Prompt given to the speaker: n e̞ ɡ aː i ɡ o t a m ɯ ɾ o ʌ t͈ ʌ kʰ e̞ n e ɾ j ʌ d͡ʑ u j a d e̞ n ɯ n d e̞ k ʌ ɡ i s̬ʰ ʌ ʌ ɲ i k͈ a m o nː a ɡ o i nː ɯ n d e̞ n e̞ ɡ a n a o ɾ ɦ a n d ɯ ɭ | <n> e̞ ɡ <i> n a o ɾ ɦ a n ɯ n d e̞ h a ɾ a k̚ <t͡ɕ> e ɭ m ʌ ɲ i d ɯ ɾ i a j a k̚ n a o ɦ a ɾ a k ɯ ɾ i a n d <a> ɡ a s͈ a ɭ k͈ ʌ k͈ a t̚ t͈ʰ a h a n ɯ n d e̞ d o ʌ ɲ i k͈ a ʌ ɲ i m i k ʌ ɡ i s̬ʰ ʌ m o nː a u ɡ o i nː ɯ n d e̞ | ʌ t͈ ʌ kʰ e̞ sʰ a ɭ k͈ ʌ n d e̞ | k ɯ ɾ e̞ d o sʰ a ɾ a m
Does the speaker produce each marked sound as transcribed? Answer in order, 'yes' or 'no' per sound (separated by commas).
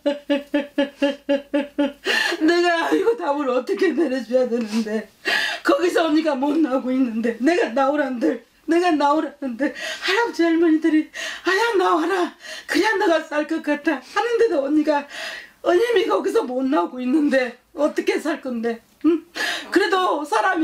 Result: yes, no, yes, yes